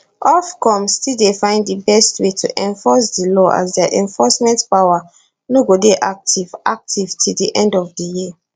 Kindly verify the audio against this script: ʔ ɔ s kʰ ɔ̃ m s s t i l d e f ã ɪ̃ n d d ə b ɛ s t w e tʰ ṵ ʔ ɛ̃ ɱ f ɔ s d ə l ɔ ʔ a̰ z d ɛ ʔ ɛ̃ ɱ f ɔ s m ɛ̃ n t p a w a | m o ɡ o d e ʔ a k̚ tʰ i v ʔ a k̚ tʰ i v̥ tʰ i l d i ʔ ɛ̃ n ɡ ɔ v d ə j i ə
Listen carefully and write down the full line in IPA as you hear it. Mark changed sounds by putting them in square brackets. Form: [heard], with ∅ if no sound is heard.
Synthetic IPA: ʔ ɔ [f] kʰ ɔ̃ m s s t i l d e f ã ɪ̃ n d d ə b ɛ s t w e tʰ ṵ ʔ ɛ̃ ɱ f ɔ s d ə l ɔ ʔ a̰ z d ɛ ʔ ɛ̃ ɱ f ɔ s m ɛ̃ n t p a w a | [n] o ɡ o d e ʔ a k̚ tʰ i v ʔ a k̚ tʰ i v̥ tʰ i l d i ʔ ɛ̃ n [d] ɔ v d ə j i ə